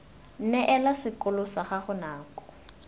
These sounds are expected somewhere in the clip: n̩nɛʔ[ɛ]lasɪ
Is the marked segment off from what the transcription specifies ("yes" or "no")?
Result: no